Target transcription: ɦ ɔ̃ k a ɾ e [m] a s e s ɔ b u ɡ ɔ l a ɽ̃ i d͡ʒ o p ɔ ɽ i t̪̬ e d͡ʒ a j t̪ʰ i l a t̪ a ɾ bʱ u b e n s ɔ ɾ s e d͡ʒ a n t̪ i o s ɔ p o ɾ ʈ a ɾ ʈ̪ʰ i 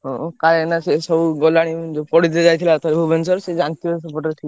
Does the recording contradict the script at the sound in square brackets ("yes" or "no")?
yes